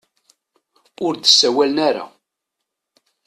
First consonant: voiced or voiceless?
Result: voiced